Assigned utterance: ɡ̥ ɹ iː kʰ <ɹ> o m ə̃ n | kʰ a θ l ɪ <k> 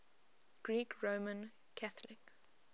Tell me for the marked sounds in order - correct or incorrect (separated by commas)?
correct, correct